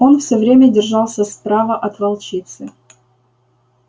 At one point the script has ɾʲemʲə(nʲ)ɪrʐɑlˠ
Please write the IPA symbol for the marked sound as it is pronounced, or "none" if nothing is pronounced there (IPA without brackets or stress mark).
dʲ